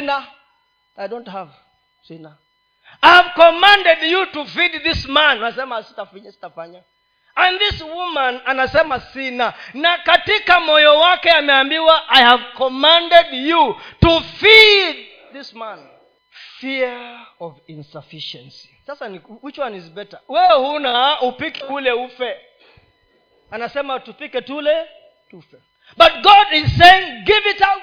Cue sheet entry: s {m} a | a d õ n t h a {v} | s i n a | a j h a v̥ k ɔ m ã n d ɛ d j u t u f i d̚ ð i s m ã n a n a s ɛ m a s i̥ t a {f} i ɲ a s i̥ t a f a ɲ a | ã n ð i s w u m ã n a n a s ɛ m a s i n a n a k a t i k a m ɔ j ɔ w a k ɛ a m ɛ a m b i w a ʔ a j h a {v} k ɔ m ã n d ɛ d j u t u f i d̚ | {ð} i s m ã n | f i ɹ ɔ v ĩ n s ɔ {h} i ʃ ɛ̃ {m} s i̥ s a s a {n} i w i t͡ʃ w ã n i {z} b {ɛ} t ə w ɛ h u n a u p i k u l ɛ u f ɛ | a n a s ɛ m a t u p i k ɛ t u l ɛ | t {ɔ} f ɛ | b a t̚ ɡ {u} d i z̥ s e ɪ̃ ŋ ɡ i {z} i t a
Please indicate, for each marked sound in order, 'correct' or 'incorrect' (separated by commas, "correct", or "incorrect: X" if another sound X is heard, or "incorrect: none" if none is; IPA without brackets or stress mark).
incorrect: n, correct, correct, correct, correct, incorrect: f, incorrect: n, correct, correct, correct, incorrect: u, incorrect: ɔ, incorrect: v